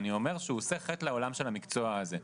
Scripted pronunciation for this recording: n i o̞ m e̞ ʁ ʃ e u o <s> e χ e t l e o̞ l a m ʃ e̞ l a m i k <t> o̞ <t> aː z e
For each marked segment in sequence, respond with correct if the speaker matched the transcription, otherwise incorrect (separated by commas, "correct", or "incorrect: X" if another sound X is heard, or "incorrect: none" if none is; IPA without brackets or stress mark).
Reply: correct, incorrect: t͡s, incorrect: none